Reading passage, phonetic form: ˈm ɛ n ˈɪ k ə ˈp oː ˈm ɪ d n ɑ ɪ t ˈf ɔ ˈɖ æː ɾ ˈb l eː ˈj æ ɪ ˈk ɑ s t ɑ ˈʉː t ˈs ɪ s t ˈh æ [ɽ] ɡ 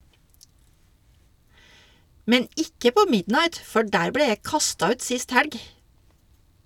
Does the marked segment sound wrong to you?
no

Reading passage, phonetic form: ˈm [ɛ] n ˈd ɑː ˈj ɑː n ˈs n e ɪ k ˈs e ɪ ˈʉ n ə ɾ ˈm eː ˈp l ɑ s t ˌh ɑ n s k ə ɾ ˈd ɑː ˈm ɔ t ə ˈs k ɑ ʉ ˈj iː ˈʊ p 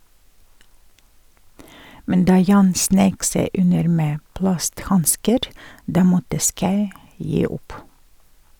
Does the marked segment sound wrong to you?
no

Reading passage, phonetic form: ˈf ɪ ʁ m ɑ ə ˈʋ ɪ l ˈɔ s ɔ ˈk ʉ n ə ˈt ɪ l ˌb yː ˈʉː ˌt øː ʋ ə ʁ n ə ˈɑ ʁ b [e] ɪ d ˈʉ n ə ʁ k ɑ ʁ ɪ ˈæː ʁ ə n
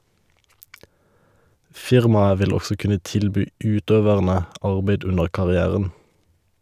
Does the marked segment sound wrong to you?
no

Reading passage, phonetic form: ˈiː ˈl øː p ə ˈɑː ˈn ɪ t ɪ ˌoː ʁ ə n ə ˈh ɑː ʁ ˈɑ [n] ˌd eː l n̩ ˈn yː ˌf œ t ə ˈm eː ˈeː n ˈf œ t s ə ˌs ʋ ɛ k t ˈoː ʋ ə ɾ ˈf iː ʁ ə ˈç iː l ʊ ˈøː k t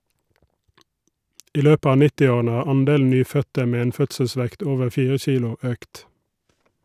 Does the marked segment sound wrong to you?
no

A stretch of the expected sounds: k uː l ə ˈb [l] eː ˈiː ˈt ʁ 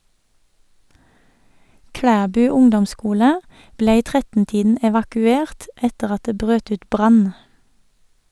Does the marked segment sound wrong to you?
no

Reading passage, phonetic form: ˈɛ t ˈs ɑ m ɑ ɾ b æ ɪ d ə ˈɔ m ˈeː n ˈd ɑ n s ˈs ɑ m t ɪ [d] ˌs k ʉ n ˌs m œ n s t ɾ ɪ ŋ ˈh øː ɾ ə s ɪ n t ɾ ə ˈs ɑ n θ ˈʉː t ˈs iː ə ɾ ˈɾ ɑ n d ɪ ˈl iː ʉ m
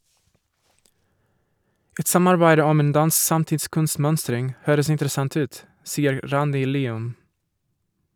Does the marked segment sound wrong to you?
yes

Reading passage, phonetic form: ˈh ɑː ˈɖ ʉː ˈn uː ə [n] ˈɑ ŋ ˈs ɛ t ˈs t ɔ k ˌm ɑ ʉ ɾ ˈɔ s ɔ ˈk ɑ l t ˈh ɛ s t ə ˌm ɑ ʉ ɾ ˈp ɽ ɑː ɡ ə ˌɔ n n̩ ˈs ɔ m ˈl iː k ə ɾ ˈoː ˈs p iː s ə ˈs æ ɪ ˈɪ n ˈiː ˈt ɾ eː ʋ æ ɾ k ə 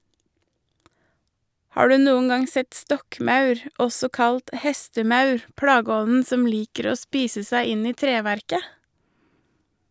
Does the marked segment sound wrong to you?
no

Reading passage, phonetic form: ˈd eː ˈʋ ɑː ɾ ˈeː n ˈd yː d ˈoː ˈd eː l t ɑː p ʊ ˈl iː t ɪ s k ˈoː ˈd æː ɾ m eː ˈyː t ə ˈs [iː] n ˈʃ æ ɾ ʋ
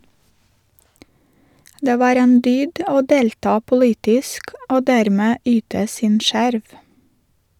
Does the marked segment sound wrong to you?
no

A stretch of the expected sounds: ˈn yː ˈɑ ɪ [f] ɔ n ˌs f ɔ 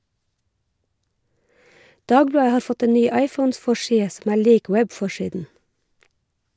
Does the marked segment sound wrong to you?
no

